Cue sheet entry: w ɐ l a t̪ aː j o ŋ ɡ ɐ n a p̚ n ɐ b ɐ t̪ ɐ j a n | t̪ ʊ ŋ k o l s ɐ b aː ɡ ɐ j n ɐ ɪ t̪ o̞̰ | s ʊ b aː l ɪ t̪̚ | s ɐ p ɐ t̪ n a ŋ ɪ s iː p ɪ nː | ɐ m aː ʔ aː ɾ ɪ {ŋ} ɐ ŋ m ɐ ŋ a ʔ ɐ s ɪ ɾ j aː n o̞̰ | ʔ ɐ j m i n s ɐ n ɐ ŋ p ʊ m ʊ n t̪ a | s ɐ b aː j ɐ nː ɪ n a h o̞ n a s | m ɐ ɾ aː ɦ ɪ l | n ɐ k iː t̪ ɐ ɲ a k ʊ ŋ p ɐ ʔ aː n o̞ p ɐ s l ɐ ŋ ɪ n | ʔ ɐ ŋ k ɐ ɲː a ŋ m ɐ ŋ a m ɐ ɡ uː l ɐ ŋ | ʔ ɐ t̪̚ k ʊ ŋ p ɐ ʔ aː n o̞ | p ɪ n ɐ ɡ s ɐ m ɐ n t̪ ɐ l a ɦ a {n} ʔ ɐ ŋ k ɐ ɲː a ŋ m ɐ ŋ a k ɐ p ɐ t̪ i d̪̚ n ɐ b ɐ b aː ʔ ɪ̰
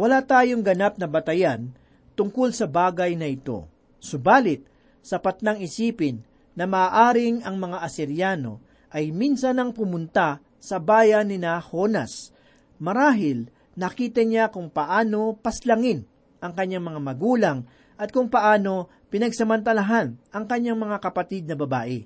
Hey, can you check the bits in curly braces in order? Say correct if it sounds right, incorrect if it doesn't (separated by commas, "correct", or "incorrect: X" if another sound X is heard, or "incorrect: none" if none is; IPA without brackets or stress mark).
correct, correct